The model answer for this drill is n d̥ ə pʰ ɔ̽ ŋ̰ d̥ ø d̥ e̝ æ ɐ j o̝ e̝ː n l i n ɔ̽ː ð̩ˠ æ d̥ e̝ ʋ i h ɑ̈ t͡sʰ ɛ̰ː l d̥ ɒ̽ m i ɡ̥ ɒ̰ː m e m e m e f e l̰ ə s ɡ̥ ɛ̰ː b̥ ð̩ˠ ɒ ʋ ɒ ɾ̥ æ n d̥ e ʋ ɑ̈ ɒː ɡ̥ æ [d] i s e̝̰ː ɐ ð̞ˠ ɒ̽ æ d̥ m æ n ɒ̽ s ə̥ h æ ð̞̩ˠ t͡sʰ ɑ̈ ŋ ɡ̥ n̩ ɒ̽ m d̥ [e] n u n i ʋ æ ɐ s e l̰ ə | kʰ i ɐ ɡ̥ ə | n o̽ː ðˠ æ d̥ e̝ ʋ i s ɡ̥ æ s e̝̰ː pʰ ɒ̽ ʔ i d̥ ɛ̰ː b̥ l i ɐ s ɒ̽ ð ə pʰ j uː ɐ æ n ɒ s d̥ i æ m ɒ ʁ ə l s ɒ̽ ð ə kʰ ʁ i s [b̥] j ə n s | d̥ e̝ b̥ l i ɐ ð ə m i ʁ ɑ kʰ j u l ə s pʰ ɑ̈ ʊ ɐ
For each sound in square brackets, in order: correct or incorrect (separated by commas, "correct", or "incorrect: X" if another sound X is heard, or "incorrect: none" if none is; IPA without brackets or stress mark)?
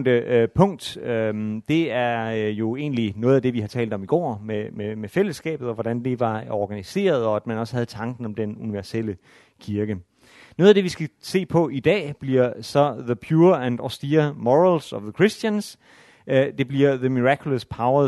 incorrect: n, correct, incorrect: d̥